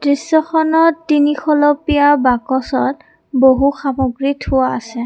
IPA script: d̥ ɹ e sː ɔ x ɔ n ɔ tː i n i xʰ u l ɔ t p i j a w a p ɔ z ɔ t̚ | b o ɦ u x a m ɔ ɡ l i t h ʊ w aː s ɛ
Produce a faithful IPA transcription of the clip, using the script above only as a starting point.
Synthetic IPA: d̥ ɹ i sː ɔ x ɔ n ɔ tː i n i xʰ ɔ l ɔ p i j a b a k ɔ s ɔ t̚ | b o ɦ u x a m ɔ ɡ ɹ i t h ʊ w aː s ɛ